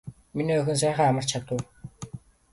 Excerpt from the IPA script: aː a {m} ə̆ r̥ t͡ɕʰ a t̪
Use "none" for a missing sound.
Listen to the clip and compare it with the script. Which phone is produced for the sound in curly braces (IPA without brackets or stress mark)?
m